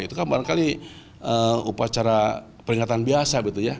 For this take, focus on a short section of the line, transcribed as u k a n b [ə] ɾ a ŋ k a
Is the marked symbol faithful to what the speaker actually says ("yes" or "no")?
no